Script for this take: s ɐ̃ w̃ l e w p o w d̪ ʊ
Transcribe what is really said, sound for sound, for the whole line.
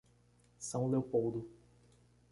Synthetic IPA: s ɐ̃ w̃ l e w p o w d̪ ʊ